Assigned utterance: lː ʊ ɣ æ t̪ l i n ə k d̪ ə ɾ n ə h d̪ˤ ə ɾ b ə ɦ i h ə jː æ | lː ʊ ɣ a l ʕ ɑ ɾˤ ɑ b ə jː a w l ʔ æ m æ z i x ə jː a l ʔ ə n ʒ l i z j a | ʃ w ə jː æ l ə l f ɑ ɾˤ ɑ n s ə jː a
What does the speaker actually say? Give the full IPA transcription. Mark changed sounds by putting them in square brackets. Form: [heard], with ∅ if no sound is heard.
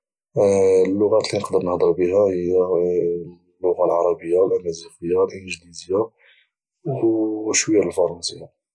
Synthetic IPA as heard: lː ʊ ɣ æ t̪ l i n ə [q] d̪ ə ɾ n ə h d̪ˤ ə ɾ b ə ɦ [æ] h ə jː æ | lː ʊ ɣ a l ʕ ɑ ɾˤ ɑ b ə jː a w l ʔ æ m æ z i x ə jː a l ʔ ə n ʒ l i z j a | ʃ w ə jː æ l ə l f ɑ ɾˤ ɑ n s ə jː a